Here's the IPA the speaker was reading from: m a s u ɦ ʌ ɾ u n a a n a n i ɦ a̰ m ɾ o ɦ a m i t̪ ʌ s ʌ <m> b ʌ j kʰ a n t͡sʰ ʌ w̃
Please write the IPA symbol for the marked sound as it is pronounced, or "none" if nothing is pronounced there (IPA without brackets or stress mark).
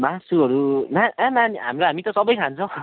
none